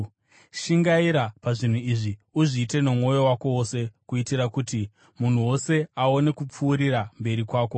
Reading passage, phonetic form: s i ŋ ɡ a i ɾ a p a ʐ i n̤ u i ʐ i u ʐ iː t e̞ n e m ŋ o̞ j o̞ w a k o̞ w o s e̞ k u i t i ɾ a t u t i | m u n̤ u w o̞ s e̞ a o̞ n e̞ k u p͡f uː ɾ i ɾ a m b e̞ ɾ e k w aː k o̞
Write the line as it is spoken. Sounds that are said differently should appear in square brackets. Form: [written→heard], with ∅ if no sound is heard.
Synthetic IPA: [s→ʃ] i ŋ ɡ a i ɾ a p a ʐ i n̤ u i ʐ i u ʐ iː t e̞ n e m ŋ o̞ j o̞ w a k o̞ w o s e̞ k u i t i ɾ a [t→k] u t i | m u n̤ u w o̞ s e̞ a o̞ n e̞ k u p͡f uː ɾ i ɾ a m b e̞ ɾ [e→i] k w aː k o̞